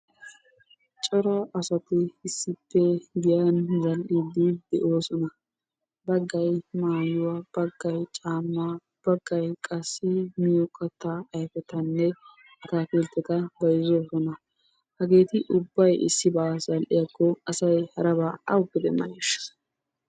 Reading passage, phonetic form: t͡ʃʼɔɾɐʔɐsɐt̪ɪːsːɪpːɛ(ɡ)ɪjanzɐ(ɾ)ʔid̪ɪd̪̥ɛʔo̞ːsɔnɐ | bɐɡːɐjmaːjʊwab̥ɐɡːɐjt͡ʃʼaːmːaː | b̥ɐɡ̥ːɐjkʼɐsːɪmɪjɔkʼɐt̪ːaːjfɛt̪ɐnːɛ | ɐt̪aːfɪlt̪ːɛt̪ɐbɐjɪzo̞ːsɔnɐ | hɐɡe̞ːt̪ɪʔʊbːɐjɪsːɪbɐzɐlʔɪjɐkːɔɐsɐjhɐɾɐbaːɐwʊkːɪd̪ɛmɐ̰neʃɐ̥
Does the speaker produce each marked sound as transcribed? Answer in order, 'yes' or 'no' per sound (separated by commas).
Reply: yes, no